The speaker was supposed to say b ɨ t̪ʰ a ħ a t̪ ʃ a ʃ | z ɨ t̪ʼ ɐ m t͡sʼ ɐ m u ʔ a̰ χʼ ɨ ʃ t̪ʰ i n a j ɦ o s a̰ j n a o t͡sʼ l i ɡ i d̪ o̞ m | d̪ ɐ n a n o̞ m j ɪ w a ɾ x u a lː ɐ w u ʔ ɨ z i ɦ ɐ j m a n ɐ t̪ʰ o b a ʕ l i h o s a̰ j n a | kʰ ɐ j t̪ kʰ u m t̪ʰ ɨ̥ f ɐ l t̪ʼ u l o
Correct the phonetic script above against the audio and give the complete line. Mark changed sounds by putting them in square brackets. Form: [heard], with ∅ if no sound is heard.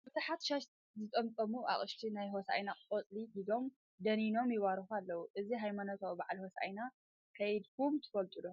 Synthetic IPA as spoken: b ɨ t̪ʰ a ħ a t̪ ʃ a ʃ | z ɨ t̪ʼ ɐ m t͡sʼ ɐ m u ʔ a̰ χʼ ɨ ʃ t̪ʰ i n a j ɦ o s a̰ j n a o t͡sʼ l i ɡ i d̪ o̞ m | d̪ ɐ n [i] n o̞ m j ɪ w a ɾ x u a lː ɐ w u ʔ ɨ z i ɦ [a] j m a n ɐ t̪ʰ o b a ʕ l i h o s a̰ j n a | kʰ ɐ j [d̪] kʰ u m t̪ʰ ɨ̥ f ɐ l t̪ʼ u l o